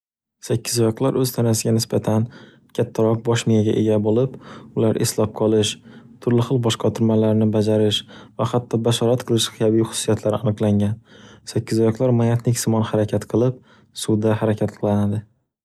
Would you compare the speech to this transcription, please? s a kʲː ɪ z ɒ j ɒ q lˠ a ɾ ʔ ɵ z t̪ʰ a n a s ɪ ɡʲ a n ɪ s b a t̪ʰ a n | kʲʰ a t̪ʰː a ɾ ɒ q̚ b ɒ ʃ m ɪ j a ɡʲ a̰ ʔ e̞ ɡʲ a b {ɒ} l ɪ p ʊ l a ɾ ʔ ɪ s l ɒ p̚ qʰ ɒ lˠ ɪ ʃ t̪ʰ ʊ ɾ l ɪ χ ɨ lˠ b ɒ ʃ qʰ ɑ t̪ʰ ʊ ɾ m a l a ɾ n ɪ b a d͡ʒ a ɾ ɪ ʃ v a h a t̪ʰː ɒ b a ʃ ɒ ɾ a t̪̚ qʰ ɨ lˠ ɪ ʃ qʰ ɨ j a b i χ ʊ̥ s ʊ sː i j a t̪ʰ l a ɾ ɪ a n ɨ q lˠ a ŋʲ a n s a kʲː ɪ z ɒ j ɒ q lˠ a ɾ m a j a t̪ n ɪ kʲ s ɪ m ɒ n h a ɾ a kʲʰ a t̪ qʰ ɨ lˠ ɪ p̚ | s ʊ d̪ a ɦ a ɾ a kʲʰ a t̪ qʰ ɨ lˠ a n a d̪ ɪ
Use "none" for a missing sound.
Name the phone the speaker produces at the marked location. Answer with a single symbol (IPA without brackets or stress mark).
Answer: o